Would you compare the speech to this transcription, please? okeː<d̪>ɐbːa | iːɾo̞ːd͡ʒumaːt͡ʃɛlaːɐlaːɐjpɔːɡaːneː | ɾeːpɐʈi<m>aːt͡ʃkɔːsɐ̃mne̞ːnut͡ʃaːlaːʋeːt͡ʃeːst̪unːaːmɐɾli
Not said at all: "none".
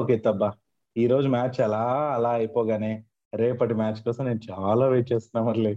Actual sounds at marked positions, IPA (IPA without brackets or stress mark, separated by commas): t̪, m